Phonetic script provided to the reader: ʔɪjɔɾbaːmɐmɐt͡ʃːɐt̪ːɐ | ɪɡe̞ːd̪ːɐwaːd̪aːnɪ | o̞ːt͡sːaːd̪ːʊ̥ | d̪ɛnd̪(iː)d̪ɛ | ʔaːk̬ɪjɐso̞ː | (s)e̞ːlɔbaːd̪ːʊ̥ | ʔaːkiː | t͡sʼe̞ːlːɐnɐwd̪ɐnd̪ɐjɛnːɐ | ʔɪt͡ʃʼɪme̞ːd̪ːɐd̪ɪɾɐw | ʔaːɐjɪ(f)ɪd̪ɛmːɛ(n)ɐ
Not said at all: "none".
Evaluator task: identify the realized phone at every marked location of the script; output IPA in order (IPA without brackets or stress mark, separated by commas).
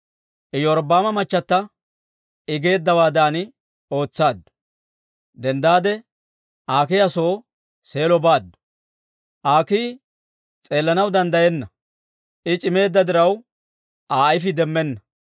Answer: aː, s, f, nː